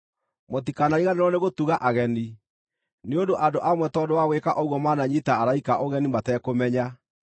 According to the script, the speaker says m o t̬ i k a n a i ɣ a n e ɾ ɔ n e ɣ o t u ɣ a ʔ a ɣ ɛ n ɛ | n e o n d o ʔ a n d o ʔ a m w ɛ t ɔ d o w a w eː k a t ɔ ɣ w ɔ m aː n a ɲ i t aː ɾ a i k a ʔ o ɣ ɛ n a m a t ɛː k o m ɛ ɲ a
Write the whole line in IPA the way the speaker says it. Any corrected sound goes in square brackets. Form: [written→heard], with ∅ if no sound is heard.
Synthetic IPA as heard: m o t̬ i k a n a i ɣ a n e ɾ ɔ n e ɣ o t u ɣ a ʔ a ɣ ɛ n [ɛ→i] | n e o n d o ʔ a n d o ʔ a m w ɛ t ɔ d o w a w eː k a [t→ʔ] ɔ ɣ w ɔ m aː n a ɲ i t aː ɾ a i k a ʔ o ɣ ɛ n [a→i] m a t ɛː k o m ɛ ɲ a